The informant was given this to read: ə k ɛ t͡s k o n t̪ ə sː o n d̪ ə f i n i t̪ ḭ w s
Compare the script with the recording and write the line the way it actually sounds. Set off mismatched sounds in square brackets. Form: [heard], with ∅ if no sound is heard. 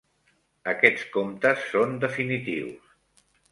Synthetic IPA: ə k ɛ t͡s k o [m] t̪ ə sː o n d̪ ə f i n i t̪ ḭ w s